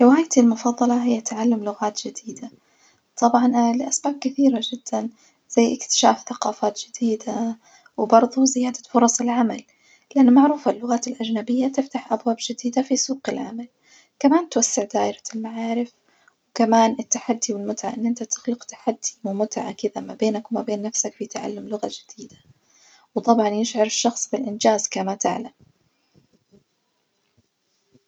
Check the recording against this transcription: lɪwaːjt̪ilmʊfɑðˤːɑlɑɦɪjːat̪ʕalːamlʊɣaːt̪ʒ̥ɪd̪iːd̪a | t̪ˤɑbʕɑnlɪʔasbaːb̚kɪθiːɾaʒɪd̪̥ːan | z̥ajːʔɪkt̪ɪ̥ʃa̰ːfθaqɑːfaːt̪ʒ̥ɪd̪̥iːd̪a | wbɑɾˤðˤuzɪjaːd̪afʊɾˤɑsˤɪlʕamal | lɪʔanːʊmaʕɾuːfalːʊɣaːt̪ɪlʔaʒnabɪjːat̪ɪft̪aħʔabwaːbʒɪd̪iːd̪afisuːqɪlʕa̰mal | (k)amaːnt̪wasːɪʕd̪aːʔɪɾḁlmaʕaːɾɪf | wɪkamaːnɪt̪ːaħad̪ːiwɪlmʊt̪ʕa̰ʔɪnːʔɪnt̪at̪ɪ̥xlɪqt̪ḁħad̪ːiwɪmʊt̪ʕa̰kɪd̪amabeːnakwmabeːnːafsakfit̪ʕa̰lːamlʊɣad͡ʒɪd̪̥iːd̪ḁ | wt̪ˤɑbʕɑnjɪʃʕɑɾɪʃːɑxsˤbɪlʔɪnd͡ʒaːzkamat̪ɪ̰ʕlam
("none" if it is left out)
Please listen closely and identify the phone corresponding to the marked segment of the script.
k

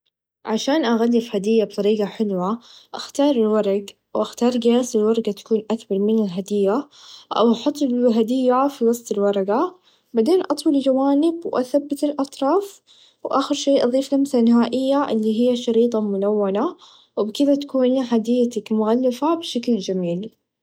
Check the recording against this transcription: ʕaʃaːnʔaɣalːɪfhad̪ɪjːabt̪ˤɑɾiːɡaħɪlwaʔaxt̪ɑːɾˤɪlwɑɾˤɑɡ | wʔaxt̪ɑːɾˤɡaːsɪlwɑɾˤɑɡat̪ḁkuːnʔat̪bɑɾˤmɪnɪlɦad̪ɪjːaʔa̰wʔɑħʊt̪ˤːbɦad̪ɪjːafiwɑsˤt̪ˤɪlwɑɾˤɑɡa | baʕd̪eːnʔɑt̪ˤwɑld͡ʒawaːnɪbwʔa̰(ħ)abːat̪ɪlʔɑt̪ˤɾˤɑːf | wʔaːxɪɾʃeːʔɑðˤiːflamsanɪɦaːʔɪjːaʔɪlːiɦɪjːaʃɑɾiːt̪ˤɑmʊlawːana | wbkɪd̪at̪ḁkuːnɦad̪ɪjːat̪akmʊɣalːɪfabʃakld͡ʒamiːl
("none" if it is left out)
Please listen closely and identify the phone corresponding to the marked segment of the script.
θ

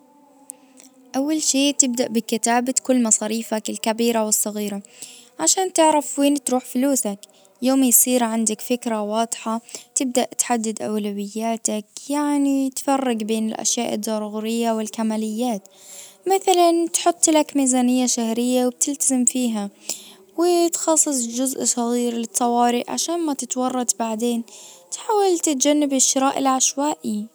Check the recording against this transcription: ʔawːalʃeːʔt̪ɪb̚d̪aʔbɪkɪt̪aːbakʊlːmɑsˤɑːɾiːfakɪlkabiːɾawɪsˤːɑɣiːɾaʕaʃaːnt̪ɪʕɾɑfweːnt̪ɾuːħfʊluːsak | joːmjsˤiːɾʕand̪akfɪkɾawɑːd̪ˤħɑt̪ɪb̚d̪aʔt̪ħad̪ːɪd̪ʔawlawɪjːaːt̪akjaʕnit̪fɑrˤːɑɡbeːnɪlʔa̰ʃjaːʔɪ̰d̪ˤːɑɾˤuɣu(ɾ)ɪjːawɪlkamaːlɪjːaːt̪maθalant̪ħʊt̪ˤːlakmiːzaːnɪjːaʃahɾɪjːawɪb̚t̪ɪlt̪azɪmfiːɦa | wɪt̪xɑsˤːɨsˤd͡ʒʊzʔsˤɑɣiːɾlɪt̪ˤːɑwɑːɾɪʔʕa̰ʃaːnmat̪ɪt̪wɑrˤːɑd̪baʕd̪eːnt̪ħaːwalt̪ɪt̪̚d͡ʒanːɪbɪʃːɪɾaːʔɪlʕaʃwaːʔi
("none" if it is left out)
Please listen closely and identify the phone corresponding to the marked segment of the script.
ɾ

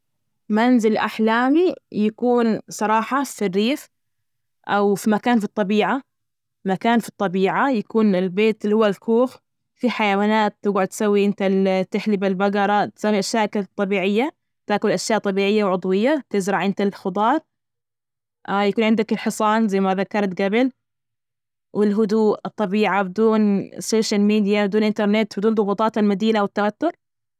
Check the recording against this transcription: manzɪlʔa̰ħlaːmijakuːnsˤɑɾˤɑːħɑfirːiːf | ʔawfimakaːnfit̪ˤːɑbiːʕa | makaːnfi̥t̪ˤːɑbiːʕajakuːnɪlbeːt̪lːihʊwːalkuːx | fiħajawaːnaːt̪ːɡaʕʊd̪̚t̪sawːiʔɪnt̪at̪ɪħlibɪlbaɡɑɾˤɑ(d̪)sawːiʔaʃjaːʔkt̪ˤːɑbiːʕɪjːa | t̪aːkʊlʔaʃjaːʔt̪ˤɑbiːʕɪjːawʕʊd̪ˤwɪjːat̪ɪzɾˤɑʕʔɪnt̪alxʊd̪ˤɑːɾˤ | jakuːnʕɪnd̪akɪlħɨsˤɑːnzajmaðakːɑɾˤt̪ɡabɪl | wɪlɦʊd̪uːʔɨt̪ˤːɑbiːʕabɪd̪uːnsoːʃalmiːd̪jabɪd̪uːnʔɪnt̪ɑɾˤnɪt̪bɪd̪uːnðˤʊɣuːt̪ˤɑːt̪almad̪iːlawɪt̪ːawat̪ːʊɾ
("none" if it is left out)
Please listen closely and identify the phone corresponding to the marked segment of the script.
t̪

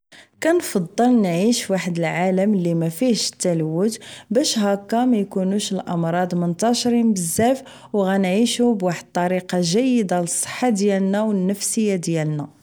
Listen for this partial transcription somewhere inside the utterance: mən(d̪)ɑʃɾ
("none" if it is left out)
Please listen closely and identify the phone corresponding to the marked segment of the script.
t̪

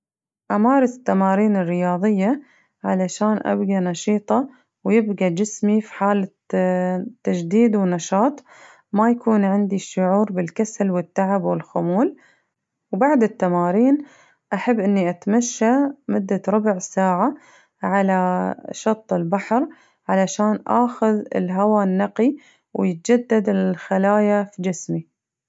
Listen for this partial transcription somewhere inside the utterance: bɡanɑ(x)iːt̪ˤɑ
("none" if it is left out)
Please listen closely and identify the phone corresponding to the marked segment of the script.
ʃ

